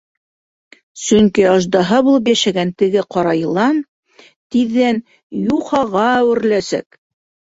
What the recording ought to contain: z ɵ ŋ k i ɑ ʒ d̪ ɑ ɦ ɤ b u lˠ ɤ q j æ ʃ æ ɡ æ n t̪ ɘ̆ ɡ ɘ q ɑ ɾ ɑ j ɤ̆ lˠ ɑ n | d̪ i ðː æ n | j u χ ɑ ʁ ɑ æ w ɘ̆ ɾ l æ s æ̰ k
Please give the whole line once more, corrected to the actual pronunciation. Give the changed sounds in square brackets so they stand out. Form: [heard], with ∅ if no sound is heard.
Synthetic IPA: [s] ɵ ŋ k i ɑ ʒ d̪ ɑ ɦ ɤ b u lˠ ɤ [p] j æ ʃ æ ɡ æ n t̪ ɘ̆ ɡ ɘ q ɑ ɾ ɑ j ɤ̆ lˠ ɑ n | [t̪] i ðː æ n | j u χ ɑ ʁ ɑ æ w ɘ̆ ɾ l æ s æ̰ k